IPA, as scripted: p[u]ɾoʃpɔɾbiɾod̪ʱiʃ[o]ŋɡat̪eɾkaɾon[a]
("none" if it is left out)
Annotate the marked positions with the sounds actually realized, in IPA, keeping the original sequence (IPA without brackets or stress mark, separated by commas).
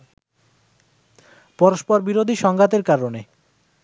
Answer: ɔ, ɔ, e